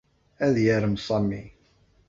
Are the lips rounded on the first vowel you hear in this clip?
no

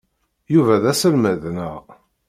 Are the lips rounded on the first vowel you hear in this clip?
yes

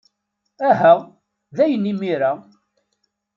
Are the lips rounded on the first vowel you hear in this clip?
no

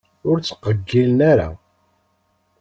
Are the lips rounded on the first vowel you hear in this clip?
yes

